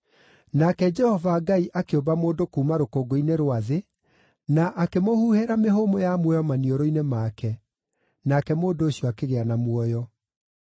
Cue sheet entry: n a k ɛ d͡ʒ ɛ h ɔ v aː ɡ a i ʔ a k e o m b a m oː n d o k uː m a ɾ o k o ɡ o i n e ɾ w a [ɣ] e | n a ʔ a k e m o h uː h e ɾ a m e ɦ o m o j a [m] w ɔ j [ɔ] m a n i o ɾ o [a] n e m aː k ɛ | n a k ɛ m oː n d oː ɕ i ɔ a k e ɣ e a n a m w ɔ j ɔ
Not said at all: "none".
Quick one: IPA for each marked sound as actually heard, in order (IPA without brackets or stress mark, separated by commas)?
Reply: ð, m, ɔ, i